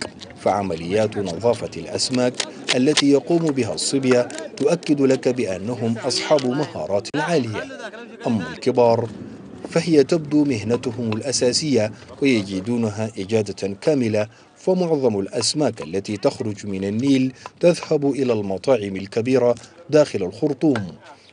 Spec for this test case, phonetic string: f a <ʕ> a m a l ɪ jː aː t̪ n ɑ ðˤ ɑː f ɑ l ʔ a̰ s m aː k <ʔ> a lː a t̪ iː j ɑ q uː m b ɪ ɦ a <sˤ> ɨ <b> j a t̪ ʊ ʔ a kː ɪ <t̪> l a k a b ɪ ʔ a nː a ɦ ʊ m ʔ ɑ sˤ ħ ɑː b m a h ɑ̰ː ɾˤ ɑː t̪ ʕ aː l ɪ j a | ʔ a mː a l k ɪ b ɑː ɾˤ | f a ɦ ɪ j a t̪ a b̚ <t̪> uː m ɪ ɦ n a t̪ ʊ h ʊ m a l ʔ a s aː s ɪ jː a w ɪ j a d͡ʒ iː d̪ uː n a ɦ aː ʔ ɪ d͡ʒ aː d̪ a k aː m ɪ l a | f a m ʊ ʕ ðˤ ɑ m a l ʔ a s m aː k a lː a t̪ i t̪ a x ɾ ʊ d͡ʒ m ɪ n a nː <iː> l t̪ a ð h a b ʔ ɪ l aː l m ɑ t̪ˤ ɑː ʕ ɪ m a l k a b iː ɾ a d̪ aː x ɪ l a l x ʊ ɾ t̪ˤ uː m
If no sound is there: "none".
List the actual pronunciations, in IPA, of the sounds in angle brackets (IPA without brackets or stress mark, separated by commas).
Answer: ʕ, ʔ, sˤː, b, d̪, d̪, iː